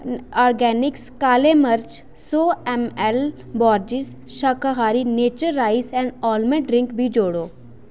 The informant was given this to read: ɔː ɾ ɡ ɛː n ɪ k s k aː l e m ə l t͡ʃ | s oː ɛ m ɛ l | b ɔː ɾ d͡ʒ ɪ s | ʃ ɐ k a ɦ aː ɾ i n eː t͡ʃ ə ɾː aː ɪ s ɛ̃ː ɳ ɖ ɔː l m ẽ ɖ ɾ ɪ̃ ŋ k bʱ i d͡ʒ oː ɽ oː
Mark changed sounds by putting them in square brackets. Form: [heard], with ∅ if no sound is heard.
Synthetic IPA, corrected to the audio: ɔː ɾ ɡ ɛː n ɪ k s k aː l e m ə [ɾ] t͡ʃ | s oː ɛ m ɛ l | b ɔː ɾ d͡ʒ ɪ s | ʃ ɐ k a ɦ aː ɾ i n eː t͡ʃ ə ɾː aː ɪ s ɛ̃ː ɳ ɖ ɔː l m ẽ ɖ ɾ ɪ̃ ŋ k bʱ i d͡ʒ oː ɽ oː